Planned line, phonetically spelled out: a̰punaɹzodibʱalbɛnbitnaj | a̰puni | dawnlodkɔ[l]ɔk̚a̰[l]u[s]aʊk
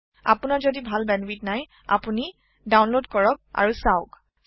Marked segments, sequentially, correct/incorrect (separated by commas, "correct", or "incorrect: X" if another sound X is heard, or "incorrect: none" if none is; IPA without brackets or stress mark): incorrect: ɹ, incorrect: ɹ, correct